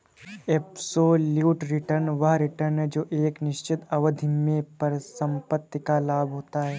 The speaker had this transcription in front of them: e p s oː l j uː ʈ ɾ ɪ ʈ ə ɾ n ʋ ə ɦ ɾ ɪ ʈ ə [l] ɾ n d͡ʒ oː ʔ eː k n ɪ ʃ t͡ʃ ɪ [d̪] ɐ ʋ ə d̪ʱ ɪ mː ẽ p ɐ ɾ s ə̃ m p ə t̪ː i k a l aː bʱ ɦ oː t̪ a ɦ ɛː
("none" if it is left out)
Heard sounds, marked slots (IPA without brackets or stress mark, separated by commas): none, t̪